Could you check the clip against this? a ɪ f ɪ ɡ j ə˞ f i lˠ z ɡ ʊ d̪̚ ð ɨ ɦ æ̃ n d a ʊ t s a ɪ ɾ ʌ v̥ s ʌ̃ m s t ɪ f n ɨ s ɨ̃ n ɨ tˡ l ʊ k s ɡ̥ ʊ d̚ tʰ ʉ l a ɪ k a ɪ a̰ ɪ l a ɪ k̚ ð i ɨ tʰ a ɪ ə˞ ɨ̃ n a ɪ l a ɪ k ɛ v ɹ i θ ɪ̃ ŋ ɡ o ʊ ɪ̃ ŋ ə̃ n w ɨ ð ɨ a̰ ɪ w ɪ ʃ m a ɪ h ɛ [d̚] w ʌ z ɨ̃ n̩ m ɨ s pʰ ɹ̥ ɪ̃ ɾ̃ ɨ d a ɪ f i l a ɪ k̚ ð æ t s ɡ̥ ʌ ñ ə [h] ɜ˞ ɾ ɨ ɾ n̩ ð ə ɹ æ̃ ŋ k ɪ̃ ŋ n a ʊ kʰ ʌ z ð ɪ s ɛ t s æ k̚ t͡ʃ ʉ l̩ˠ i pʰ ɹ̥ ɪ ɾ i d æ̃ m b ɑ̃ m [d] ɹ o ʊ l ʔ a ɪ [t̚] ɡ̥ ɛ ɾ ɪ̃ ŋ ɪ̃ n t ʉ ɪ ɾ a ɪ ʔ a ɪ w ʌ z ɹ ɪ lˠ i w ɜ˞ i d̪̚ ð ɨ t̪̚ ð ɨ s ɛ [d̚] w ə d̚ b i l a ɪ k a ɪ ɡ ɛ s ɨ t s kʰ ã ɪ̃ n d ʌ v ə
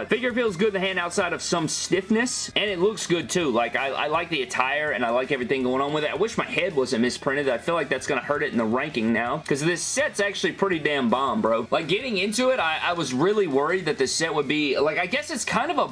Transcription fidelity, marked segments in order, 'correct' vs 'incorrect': correct, correct, incorrect: b, incorrect: k̚, incorrect: t̚

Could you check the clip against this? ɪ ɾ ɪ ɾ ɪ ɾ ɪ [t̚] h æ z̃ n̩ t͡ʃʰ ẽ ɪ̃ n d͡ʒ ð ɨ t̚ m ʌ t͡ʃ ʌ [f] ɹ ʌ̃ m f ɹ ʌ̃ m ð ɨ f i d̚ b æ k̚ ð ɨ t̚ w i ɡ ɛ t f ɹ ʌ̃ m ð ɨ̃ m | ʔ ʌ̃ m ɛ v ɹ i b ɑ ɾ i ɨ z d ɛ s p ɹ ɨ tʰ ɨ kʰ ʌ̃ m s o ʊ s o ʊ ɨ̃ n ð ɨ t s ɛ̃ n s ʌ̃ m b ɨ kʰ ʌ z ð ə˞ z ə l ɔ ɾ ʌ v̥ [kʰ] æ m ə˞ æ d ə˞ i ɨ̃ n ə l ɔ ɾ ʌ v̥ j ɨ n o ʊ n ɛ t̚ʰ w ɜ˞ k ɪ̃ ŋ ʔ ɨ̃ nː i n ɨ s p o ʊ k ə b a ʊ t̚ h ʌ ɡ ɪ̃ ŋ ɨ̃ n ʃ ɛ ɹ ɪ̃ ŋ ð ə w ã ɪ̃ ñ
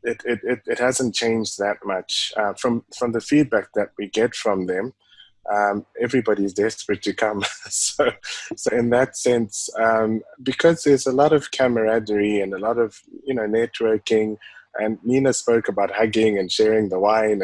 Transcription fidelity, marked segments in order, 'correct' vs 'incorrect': correct, correct, correct

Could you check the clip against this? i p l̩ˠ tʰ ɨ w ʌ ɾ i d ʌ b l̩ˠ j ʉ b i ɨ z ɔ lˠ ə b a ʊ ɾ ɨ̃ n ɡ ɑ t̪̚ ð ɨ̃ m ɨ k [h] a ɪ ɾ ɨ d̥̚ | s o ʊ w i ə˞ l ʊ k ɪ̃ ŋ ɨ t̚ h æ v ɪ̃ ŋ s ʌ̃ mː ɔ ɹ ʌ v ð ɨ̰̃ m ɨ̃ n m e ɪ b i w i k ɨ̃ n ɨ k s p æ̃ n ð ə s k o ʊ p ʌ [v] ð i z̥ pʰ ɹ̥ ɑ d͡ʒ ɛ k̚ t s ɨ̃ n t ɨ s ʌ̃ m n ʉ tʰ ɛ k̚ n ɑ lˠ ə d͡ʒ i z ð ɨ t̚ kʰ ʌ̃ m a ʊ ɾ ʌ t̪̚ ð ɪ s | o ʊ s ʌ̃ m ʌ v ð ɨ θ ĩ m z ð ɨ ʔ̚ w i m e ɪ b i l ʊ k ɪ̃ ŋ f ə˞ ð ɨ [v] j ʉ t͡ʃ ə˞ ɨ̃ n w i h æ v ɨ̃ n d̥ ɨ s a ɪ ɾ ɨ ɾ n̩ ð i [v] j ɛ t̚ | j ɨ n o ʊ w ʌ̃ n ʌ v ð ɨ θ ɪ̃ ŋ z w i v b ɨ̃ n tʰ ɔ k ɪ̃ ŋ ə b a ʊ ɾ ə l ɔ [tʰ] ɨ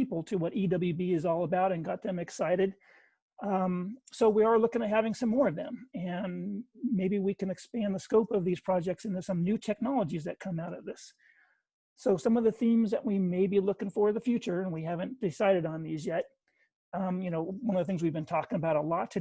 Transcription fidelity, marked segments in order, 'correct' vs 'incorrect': incorrect: s, correct, incorrect: f, incorrect: z, correct

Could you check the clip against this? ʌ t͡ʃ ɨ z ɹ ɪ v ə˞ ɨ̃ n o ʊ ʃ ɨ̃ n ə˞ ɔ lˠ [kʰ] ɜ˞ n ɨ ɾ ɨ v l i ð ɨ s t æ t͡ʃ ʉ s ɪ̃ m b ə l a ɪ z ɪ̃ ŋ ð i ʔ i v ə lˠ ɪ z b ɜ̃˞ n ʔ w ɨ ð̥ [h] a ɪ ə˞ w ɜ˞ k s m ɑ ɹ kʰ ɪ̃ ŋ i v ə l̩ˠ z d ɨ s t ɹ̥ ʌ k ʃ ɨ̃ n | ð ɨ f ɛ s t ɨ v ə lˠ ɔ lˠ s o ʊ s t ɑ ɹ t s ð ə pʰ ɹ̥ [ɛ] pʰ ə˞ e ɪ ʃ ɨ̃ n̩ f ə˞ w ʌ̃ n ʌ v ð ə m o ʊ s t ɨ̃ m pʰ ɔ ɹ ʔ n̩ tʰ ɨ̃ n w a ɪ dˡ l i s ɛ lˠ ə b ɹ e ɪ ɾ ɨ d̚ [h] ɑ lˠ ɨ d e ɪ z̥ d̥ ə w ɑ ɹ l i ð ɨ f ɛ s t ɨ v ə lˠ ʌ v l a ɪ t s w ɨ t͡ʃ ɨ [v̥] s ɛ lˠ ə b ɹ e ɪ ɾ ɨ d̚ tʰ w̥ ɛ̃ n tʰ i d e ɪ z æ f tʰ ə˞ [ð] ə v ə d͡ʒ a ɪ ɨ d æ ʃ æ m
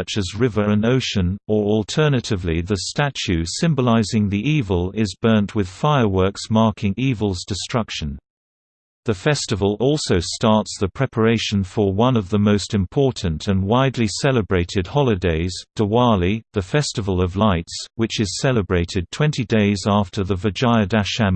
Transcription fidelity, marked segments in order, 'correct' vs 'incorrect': incorrect: tʰ, incorrect: f, correct, correct, incorrect: z̥, correct

